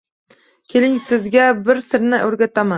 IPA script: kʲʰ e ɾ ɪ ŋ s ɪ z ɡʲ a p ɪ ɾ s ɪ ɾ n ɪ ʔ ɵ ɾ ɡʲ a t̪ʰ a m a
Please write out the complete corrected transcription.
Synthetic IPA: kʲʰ e l ɪ ŋ s ɪ z ɡʲ a b ɪ ɾ s ɪ ɾ n ɪ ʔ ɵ ɾ ɡʲ a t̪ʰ a m a